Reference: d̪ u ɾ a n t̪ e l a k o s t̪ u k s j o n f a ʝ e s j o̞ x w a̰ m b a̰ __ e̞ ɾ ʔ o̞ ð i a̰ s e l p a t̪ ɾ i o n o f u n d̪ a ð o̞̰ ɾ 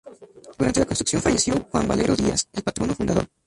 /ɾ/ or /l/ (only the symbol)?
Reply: l